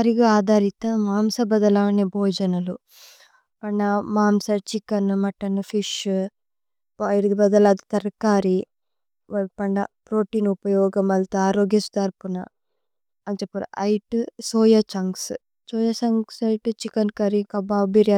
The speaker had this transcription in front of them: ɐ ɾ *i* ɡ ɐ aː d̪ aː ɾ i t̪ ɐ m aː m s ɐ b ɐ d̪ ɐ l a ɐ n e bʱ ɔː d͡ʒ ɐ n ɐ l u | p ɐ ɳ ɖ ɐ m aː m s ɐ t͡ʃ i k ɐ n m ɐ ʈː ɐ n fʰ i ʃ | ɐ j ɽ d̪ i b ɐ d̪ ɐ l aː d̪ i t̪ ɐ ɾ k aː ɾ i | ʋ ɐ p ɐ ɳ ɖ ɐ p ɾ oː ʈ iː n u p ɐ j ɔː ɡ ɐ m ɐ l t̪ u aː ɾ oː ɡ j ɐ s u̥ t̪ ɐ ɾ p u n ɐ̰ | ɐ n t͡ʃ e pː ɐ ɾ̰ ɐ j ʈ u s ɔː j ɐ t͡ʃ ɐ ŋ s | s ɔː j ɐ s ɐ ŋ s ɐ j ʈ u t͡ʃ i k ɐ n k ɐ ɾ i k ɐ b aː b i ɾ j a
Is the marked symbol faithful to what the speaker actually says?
yes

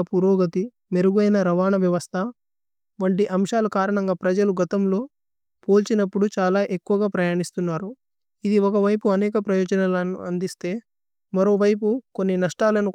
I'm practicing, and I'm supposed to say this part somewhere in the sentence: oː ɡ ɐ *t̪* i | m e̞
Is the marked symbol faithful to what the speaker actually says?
yes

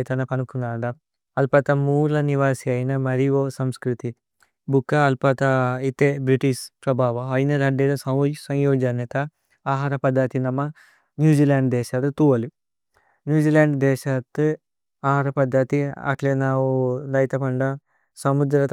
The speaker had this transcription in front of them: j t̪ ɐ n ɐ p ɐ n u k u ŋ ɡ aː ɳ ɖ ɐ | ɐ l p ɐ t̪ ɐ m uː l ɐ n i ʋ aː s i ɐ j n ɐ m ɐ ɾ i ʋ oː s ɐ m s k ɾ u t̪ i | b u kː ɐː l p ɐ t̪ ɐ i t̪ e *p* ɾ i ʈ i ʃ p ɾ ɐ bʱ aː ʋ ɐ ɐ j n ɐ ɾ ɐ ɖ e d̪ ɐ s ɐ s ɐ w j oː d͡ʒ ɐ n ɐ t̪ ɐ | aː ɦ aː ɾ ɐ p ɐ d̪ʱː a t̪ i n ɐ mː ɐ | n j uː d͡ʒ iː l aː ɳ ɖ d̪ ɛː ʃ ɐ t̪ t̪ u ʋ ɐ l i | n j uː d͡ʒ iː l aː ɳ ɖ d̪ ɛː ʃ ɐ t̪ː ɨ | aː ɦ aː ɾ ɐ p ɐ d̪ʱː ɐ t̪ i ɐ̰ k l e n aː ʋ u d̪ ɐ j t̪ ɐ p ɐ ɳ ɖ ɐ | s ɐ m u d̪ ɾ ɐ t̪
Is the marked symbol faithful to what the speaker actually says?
no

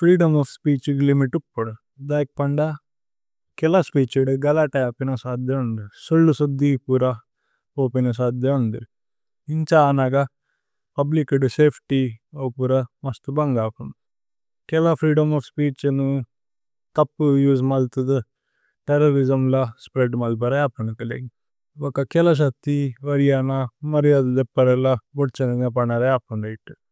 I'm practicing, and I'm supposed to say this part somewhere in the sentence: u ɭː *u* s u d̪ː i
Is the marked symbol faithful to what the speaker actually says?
yes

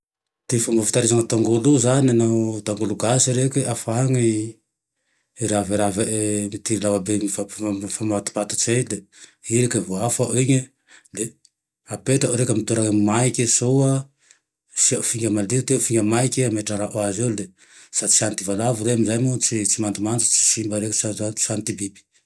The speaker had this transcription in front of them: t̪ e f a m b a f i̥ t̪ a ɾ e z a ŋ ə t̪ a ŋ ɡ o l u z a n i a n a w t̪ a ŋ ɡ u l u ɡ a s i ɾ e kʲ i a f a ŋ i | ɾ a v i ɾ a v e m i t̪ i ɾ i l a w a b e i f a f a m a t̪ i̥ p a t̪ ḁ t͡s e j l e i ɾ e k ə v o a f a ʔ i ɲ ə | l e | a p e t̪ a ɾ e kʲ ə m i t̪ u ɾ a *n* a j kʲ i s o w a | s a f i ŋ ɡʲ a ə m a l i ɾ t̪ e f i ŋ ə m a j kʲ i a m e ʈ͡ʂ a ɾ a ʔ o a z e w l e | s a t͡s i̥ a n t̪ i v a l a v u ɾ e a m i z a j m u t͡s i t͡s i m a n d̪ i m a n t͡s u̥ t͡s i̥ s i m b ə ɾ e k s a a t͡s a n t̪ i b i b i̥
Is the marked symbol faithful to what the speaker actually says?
no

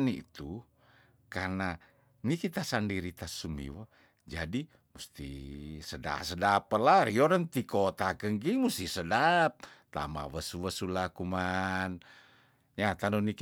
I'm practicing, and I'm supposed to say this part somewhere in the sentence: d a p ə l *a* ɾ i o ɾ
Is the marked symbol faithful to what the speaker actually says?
yes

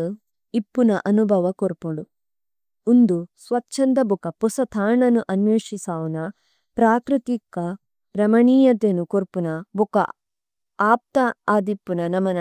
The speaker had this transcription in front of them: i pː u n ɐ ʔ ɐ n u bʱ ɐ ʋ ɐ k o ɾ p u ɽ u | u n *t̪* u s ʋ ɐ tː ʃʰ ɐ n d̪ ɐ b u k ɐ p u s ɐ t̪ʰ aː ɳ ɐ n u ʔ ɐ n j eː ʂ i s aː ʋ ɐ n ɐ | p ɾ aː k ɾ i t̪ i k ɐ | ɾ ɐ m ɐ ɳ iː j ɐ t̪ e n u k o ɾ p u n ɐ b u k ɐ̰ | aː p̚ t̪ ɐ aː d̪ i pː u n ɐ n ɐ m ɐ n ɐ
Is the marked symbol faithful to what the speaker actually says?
no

